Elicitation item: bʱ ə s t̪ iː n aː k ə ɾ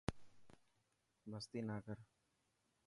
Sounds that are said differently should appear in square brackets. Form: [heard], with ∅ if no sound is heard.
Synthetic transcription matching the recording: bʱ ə s t̪ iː n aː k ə ɾ